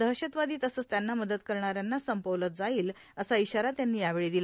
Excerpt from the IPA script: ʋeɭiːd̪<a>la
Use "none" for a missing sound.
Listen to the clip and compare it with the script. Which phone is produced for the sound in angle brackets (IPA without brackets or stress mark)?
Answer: i